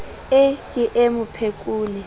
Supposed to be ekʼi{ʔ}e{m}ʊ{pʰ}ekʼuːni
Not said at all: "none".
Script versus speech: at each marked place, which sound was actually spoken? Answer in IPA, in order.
ʔ, m, pʰ

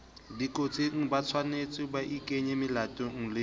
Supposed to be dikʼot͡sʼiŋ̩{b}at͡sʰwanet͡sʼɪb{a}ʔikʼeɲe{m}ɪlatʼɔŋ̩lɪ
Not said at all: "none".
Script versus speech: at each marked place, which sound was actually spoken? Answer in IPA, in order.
b, a, m

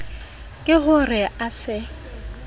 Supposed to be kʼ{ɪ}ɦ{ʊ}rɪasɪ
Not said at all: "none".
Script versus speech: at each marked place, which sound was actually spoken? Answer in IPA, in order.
ɪ, ʊ

